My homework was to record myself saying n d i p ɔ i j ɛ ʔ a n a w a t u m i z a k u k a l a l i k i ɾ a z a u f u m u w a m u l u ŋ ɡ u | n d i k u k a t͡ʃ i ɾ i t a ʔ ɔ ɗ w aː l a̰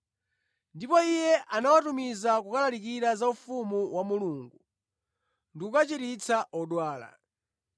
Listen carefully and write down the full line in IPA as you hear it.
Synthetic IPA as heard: n d i p ɔ i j ɛ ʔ a n a w a t u m i z a k u k a l a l i k i ɾ a z a u f u m u w a m u l u ŋ ɡ u | n d i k u k a t͡ʃ i ɾ i t͡s a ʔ ɔ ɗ w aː l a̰